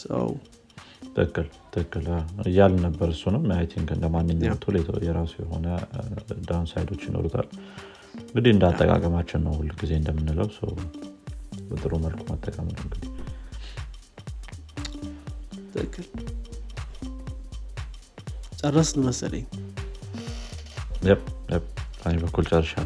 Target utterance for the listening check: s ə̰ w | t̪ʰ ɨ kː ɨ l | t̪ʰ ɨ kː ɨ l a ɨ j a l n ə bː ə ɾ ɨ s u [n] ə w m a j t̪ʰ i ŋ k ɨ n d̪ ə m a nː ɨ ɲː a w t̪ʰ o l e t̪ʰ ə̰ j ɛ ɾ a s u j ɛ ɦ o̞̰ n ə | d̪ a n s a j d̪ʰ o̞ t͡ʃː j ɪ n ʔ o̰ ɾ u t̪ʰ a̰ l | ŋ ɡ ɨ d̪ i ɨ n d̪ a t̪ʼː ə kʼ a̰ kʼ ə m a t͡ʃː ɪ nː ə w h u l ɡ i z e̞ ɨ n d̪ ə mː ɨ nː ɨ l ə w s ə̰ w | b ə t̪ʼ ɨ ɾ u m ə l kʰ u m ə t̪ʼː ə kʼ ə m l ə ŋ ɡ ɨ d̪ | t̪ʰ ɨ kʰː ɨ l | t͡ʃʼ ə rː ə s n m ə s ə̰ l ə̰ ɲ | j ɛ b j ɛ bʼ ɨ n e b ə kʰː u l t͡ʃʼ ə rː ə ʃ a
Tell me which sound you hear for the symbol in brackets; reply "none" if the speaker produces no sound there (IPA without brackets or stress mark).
n